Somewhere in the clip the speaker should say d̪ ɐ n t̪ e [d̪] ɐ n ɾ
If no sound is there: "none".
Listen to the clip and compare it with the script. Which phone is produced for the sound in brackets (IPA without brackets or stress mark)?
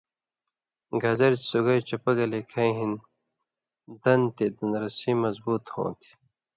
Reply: d̪